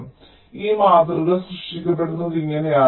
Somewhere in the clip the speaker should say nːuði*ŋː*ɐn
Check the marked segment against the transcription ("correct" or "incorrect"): correct